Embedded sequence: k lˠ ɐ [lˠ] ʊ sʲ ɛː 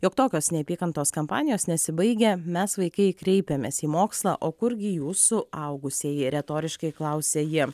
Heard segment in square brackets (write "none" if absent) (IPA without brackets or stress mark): none